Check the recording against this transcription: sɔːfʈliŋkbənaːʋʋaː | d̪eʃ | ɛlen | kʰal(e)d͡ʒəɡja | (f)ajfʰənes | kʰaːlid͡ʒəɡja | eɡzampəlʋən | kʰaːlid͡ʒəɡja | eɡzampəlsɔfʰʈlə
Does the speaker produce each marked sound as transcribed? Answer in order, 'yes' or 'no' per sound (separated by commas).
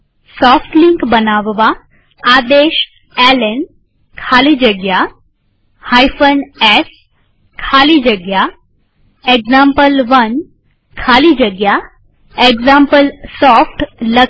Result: no, no